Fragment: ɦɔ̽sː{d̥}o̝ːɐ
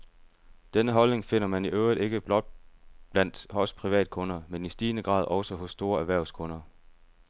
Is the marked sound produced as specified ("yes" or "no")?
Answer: yes